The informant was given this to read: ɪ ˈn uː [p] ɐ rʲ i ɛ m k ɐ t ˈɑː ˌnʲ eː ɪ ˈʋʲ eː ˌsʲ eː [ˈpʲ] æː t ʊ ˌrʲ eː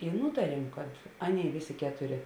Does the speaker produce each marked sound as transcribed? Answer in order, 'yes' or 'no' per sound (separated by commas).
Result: no, no